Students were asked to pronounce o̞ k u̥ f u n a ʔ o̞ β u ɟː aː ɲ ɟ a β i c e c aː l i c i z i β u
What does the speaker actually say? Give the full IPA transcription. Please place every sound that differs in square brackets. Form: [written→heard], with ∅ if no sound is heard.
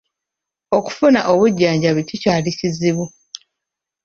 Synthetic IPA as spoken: o̞ k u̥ f u n a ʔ o̞ β u ɟː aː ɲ ɟ a β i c [e→i] c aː l i c i z i β u

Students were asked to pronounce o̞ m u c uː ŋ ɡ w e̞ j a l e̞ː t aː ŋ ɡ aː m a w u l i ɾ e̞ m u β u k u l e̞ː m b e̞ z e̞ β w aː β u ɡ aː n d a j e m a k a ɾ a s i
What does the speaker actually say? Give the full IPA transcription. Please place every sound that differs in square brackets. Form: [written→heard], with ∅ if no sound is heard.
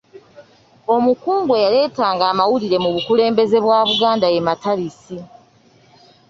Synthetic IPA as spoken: o̞ m u [c→k] uː ŋ ɡ w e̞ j a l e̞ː t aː ŋ ɡ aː m a w u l i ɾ e̞ m u β u k u l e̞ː m b e̞ z e̞ β w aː β u ɡ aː n d a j e m a [k→t] a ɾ [a→i] s i

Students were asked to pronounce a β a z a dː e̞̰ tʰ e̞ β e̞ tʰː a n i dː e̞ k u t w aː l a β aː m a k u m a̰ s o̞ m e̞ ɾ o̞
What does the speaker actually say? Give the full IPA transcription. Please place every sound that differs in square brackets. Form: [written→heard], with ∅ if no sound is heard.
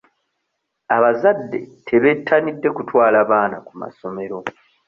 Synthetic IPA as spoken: a β a z a dː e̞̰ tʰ e̞ β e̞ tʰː a n i dː e̞ k u t w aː l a β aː [m→n] a k u m a̰ s o̞ m e̞ ɾ o̞

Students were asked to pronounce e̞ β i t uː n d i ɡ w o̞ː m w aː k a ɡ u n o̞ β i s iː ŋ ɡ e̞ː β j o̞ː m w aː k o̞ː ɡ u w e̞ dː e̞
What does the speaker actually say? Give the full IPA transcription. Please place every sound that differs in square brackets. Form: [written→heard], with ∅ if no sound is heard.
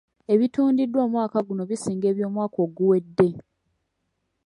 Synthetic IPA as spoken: e̞ β i t uː n d i [ɡ→d] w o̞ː m w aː k a ɡ u n o̞ β i s iː ŋ ɡ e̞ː β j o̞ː m w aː k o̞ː ɡ u w e̞ dː e̞

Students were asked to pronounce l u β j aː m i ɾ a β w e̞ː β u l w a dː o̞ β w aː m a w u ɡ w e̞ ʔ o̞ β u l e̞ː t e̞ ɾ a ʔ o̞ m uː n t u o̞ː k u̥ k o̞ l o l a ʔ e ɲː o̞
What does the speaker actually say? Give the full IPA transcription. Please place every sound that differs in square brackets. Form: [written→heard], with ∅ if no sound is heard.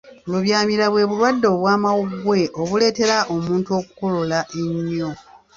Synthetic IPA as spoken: l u β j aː m i ɾ a β w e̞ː β u l w a dː o̞ β w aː m a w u ɡ w e̞ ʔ o̞ β u l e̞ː t e̞ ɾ a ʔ o̞ m uː n t u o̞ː k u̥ k o̞ l o l a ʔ e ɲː o̞

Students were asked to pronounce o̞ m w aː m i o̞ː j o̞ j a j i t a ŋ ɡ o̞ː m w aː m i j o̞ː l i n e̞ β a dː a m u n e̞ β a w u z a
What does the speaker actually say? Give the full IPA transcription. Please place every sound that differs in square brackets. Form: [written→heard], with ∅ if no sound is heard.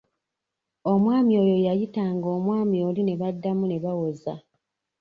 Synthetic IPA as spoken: o̞ m w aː m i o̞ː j o̞ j a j i t a ŋ ɡ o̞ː m w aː m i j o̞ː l i n e̞ β a dː a m u n e̞ β a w [u→o] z a

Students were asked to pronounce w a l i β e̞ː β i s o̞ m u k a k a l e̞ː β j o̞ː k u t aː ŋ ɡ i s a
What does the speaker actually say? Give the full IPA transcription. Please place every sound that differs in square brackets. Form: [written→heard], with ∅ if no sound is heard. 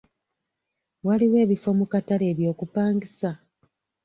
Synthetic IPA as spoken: w a l i [β→w] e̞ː β i [s→f] o̞ m u k a [k→t] a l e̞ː β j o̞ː k u [t→p] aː ŋ ɡ i s a

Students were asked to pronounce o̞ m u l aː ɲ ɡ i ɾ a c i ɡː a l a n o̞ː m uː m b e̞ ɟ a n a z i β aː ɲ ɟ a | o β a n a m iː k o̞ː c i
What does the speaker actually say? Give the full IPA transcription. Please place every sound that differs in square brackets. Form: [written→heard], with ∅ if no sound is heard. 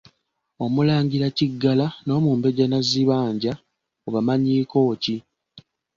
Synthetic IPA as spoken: o̞ m u l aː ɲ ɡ i ɾ a c i ɡː a l a n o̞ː m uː m b e̞ ɟ a n a z i β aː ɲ ɟ a | o β a [n→m] a [m→ɲ] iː k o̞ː c i

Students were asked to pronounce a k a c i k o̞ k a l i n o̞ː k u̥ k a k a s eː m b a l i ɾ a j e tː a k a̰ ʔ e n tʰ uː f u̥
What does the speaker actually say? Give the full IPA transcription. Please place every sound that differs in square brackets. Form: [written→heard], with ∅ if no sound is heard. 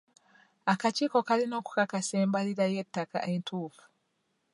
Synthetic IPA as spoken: a k a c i k o̞ k a l i n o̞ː k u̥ k a k a s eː m b a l i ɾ a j e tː a k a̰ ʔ e n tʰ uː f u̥

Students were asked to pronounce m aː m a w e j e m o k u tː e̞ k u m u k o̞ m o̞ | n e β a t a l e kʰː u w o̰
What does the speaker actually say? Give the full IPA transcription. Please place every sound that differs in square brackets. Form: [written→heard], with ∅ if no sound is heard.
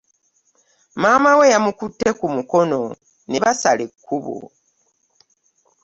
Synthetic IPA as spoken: m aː m a w e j [e→a] m [o→u] k u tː e̞ k u m u k o̞ [m→n] o̞ | n e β a [t→s] a l e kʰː u [w→β] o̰

